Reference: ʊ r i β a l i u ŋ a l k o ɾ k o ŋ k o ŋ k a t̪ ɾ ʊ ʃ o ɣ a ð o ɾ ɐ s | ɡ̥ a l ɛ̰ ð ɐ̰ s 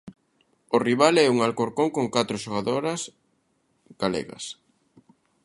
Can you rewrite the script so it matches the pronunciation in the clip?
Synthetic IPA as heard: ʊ r i β a l ɛ u ŋ a l k o ɾ k o ŋ k o ŋ k a t̪ ɾ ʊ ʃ o ɣ a ð o ɾ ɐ s | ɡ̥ a l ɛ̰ ɣ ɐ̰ s